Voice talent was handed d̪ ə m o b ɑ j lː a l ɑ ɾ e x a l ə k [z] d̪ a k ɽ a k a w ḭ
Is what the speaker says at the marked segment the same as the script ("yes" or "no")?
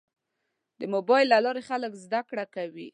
yes